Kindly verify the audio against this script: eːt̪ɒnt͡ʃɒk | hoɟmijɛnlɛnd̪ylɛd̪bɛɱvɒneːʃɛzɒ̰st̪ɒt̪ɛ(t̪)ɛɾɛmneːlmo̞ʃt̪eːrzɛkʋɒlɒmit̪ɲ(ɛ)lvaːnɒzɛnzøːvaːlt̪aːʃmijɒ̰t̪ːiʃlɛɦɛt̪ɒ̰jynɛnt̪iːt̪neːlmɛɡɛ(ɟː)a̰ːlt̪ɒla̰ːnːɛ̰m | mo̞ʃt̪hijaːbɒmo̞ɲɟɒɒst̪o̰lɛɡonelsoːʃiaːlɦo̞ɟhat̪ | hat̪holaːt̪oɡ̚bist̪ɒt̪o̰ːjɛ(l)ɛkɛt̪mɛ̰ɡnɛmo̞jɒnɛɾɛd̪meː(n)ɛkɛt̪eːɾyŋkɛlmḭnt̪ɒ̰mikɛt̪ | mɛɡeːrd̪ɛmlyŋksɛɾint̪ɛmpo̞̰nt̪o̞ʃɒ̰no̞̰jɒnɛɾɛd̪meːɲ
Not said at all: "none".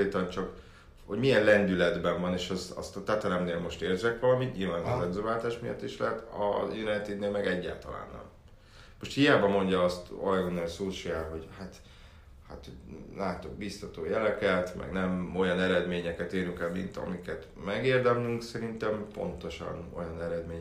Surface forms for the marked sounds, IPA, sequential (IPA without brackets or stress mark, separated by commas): t̪, i, ɟː, l, ɲ